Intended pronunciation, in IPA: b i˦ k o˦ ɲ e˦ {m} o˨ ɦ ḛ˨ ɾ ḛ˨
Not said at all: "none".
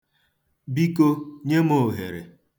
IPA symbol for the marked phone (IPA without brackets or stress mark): m